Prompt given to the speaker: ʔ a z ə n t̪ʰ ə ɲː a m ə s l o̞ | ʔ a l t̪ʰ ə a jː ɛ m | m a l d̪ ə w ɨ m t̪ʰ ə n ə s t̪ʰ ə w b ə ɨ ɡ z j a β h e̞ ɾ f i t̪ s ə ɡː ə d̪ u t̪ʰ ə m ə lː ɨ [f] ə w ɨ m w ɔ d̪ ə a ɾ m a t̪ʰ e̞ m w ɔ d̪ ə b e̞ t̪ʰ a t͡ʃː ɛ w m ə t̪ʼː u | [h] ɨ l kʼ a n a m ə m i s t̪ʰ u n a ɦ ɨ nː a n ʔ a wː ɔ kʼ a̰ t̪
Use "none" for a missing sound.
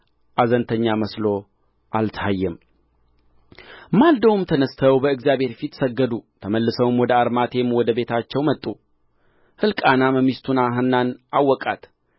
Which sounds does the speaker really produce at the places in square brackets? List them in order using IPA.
s, h

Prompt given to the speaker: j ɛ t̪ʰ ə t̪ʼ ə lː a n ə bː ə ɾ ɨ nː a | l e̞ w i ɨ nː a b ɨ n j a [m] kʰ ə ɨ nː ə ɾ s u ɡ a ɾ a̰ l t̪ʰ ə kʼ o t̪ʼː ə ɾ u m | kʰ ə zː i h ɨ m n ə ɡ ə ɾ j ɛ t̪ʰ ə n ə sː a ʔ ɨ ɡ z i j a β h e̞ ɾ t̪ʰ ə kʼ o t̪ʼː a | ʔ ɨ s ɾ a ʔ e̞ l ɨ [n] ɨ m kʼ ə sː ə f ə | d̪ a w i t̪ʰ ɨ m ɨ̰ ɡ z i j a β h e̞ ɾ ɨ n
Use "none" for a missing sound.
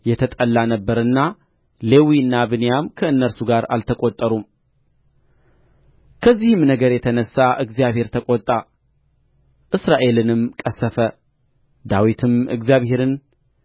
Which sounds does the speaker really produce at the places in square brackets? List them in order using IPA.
m, n

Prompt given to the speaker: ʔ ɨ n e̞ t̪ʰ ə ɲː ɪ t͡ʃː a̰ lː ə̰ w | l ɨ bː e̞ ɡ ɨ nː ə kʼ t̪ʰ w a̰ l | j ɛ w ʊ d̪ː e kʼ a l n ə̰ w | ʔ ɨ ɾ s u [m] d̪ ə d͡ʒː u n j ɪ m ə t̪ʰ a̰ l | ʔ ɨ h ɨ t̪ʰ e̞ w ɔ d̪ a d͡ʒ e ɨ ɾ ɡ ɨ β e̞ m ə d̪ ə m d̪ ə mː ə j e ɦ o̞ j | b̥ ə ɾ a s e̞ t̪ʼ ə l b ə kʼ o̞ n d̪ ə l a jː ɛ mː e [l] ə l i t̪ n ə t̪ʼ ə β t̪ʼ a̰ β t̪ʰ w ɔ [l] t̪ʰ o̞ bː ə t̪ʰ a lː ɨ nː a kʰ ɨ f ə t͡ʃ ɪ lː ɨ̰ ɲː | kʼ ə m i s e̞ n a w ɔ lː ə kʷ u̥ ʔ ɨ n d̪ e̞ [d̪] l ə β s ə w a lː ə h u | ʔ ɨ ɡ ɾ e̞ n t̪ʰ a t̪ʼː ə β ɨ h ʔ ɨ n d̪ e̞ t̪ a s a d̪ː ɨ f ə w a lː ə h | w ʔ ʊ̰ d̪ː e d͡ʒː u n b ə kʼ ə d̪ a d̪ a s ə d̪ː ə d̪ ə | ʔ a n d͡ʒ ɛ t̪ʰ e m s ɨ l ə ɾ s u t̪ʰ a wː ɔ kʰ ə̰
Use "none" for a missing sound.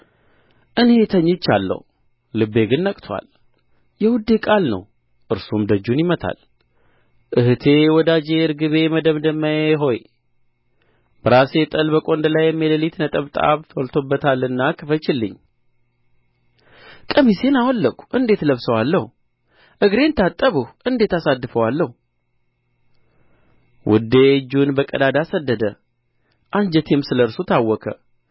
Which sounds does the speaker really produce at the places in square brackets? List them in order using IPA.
m, l, l, t̪

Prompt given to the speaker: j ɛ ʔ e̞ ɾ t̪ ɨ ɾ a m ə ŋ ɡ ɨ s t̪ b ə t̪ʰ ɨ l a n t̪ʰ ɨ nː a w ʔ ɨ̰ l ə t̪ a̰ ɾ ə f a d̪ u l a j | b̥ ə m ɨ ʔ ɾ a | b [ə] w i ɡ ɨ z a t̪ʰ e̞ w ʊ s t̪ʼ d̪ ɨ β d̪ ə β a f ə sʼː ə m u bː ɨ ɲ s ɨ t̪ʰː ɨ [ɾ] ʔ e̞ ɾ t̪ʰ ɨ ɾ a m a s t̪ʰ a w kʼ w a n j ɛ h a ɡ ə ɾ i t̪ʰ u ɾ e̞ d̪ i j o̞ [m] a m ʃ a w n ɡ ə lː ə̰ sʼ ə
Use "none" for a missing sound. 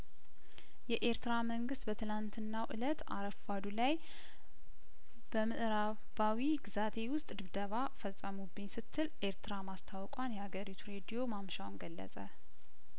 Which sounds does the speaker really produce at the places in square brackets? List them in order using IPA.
a, l, m

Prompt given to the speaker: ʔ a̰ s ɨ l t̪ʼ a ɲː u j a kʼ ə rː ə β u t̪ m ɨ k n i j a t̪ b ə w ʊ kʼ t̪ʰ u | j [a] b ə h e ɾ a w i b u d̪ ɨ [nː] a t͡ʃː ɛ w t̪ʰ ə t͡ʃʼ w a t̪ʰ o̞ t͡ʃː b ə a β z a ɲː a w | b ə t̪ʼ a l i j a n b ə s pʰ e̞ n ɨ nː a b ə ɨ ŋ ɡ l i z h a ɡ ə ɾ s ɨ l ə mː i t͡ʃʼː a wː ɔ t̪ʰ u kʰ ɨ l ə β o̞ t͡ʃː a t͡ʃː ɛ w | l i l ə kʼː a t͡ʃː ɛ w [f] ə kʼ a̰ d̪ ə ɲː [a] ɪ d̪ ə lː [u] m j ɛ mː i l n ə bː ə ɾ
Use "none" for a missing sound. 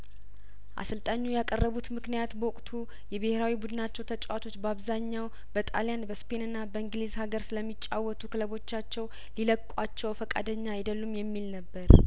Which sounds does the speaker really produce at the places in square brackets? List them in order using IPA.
ɛ, n, f, a, u

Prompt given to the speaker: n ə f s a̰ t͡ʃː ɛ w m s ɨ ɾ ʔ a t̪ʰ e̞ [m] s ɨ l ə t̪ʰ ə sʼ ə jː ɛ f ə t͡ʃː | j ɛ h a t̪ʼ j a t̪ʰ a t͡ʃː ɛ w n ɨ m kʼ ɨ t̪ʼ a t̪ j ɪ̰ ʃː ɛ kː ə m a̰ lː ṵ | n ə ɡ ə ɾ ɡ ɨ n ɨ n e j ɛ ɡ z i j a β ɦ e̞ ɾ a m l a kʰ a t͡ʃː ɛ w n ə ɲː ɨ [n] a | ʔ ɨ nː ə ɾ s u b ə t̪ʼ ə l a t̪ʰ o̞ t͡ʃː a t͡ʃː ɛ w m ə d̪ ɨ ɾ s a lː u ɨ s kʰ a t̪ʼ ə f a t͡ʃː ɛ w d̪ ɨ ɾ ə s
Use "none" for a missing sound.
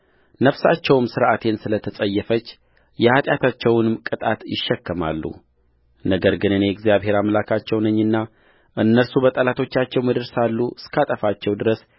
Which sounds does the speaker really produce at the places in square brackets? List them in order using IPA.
n, nː

